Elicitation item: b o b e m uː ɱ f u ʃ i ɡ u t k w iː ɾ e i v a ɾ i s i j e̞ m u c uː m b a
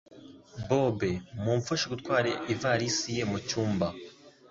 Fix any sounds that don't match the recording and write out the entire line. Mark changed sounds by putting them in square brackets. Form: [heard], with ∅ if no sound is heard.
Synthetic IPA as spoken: b o b e m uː ɱ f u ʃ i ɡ u t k w [aː] ɾ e i v a ɾ i s i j e̞ m u c uː m b a